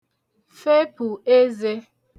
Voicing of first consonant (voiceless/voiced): voiceless